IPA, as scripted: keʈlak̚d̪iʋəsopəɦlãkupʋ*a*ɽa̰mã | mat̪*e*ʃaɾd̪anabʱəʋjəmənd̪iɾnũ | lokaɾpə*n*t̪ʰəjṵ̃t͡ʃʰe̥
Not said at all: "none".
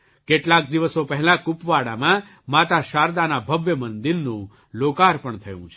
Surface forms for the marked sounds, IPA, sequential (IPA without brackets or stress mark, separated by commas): a, a, ɳ